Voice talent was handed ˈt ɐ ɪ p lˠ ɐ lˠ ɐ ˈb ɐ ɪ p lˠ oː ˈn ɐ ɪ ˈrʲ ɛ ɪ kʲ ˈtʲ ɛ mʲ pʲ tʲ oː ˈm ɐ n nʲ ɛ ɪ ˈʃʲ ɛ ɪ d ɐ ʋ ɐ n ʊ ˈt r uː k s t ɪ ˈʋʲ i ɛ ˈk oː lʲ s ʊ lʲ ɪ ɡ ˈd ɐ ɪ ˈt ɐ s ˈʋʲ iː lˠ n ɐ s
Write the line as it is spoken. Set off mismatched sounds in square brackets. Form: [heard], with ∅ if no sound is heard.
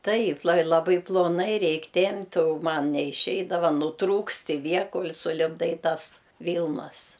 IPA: ˈt ɐ ɪ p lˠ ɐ lˠ ɐ ˈb ɐ ɪ p lˠ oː ˈn ɐ ɪ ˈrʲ ɛ ɪ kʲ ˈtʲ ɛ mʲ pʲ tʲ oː ˈm ɐ n nʲ ɛ ɪ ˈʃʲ ɛ ɪ d ɐ ʋ ɐ n ʊ ˈt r uː k s t ɪ ˈʋʲ i ɛ ˈk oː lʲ s ʊ lʲ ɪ [b] ˈd ɐ ɪ ˈt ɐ s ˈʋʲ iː lˠ n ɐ s